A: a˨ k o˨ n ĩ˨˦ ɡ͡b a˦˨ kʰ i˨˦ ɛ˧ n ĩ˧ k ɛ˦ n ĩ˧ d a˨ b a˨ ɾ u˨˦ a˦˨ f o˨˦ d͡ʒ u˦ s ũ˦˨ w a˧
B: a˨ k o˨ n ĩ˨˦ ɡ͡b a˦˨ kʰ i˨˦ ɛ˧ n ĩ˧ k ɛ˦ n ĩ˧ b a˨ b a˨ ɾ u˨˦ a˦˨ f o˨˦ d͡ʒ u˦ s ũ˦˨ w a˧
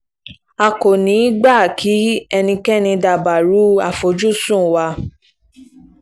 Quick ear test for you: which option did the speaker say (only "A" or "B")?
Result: A